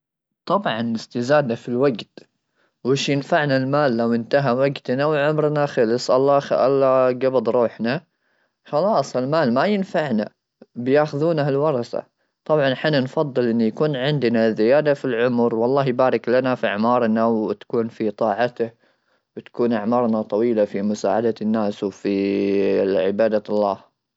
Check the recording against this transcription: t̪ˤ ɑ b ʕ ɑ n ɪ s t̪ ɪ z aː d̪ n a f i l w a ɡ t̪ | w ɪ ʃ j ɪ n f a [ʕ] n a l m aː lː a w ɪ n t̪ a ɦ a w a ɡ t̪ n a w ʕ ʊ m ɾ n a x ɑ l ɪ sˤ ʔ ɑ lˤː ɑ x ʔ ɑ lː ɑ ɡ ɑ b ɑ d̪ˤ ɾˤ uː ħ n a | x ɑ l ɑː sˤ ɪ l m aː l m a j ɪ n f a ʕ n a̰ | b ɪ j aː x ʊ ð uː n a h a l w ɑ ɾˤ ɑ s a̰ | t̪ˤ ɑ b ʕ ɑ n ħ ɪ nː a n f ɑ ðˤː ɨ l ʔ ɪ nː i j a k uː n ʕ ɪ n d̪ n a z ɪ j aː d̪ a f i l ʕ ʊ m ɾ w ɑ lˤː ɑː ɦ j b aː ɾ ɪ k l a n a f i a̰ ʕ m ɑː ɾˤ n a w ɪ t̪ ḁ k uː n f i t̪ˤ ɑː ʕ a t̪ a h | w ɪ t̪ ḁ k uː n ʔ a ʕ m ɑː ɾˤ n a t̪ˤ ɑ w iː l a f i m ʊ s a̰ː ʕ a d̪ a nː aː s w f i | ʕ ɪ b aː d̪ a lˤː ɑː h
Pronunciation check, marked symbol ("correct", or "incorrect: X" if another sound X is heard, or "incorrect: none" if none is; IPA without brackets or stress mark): correct